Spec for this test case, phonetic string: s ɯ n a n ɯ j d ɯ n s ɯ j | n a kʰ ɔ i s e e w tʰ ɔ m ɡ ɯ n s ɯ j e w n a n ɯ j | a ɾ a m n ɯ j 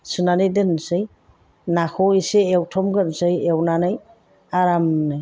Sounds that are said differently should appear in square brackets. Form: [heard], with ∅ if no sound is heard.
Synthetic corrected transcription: s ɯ n a n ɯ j d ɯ n s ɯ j | n a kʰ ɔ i s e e w tʰ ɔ m ɡ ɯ n s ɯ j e w n a n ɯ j | a ɾ a m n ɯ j